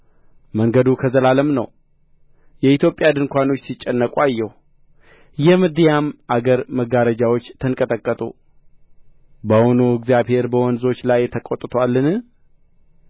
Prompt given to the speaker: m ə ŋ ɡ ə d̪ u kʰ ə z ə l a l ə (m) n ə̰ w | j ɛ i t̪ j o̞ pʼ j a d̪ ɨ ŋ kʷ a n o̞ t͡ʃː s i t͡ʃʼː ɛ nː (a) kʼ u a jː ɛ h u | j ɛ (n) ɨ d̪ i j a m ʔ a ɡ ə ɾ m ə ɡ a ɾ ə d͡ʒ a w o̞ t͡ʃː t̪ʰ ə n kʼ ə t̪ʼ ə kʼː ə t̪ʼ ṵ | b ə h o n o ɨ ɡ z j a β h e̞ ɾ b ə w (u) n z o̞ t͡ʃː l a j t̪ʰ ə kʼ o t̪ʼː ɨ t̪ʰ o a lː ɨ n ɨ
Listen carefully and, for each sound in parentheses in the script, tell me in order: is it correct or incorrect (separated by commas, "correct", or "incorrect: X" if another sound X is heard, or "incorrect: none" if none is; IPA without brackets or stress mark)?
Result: correct, incorrect: ə, incorrect: m, incorrect: ɔ